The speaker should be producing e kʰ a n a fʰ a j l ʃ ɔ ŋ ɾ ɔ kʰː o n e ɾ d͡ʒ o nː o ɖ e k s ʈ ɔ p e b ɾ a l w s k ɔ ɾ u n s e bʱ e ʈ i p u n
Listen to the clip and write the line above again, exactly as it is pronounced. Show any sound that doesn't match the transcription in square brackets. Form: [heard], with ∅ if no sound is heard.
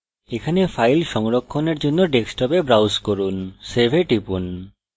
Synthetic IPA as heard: e kʰ a n [e] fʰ a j l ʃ ɔ ŋ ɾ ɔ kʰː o n e ɾ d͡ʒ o nː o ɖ e k s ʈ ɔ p e b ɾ a [∅] w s k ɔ ɾ u n s e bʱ e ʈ i p u n

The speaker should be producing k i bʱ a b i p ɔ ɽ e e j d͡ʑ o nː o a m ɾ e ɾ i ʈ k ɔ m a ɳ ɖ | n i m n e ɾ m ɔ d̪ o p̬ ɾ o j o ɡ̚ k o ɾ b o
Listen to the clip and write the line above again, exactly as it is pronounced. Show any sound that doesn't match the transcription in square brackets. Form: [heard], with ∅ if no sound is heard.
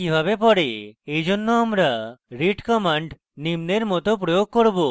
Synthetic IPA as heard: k i bʱ a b [e] p ɔ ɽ e e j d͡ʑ o nː o a m ɾ [a] ɾ i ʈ k ɔ m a ɳ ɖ | n i m n e ɾ m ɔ [t̪] o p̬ ɾ o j o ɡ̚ k o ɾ b o

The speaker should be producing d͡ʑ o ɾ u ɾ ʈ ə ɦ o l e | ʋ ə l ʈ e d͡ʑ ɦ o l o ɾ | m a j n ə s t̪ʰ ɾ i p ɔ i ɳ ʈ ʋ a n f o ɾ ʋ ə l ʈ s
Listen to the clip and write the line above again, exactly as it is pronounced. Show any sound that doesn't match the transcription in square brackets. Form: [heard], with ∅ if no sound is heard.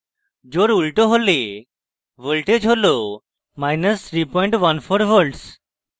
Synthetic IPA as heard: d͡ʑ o ɾ u [l] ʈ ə ɦ o l e | ʋ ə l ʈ e d͡ʑ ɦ o l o [∅] | m a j n ə s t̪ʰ ɾ i p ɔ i ɳ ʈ ʋ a n f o ɾ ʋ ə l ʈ s

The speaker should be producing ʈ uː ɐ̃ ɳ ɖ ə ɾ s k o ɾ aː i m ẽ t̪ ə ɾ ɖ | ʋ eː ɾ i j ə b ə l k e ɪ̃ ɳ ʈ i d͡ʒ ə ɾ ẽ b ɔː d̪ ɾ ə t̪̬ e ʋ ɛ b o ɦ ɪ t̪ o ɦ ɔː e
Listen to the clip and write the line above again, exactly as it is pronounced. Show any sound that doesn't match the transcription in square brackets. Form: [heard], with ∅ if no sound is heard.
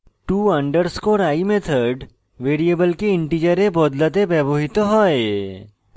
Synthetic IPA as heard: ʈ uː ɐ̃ ɳ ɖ ə ɾ s k o ɾ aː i m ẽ [t̪ʰ] ə ɾ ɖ | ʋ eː ɾ i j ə b ə l k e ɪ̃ ɳ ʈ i d͡ʒ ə ɾ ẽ b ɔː d̪ [l] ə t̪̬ e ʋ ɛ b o ɦ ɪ t̪ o ɦ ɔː e

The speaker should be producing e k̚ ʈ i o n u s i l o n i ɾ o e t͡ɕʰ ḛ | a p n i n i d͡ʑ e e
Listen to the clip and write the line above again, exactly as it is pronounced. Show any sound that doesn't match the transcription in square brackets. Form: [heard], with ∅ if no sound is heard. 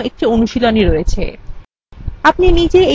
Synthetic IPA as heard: e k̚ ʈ i o n u [ʃ] i l o n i ɾ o e t͡ɕʰ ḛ | a p n i n i d͡ʑ e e

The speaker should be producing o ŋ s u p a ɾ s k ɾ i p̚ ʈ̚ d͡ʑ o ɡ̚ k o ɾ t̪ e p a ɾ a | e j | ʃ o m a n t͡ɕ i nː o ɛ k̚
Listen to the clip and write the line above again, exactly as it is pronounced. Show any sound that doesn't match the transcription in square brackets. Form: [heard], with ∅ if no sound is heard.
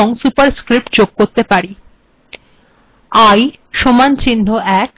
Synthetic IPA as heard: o ŋ s u p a ɾ s k ɾ i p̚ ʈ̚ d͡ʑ o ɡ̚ k o ɾ t̪ e p a ɾ [i] | [a] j | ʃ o m a n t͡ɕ i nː o ɛ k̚

